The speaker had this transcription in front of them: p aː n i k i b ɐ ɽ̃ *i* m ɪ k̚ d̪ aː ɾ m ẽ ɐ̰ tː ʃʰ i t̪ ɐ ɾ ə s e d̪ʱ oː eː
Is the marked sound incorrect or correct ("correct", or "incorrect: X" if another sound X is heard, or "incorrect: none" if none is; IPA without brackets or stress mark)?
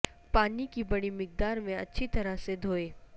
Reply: correct